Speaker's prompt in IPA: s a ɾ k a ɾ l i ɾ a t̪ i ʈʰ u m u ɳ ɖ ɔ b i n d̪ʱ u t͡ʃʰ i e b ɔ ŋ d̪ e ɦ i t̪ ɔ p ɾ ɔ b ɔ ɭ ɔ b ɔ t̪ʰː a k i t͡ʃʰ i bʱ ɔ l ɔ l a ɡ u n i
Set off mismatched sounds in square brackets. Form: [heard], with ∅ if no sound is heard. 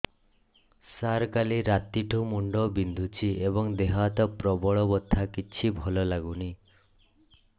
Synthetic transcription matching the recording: s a ɾ k a [∅] l i ɾ a t̪ i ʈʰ u m u ɳ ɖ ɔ b i n d̪ʱ u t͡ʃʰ i e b ɔ ŋ d̪ e ɦ [a] t̪ ɔ p ɾ ɔ b ɔ ɭ ɔ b ɔ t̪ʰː a k i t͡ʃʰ i bʱ ɔ l ɔ l a ɡ u n i